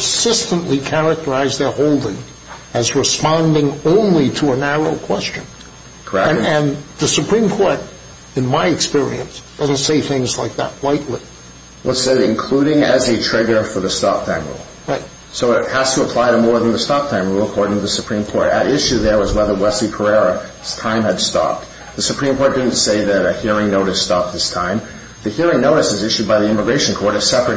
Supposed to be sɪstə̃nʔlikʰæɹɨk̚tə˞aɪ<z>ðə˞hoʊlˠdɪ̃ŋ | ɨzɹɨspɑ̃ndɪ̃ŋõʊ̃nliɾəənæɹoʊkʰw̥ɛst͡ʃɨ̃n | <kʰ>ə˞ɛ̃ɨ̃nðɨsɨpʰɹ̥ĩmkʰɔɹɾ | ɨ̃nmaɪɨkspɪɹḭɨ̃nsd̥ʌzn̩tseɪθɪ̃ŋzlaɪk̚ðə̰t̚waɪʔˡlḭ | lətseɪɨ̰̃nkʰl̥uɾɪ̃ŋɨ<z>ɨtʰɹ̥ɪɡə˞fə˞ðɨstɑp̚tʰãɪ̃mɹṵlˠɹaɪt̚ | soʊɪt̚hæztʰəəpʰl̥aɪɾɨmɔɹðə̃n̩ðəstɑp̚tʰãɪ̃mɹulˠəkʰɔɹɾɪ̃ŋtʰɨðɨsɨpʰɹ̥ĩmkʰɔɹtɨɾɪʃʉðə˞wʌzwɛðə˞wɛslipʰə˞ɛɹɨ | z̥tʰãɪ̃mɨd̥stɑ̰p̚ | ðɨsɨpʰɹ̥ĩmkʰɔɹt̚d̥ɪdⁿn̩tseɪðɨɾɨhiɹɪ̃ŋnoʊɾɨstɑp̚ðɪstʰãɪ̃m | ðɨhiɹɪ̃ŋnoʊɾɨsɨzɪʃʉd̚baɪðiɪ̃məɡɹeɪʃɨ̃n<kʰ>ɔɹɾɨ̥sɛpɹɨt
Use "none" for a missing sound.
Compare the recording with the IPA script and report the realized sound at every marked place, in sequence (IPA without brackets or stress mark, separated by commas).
z, kʰ, z, kʰ